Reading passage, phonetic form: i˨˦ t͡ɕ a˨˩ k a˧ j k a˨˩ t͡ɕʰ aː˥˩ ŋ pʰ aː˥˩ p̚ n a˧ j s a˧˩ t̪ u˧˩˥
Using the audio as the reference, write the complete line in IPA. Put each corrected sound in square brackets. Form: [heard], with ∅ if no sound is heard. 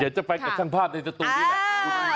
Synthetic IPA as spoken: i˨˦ t͡ɕ a˨˩ [p] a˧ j k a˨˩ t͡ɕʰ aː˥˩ ŋ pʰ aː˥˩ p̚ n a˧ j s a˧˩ t̪ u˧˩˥